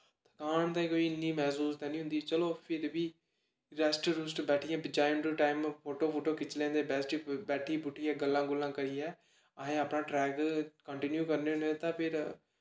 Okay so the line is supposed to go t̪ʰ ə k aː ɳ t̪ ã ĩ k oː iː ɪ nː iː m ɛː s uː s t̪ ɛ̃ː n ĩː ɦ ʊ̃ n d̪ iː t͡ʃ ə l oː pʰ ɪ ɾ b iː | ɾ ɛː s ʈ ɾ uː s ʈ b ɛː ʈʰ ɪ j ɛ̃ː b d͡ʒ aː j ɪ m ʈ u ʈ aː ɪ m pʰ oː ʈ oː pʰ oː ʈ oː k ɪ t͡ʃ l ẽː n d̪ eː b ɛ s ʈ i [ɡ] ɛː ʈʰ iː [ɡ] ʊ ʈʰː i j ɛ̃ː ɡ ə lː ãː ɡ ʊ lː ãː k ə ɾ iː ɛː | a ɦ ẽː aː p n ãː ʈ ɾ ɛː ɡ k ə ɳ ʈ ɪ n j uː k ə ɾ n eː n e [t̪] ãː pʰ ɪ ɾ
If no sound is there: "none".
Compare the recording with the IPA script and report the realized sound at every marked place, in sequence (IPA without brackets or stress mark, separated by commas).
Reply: b, b, t̪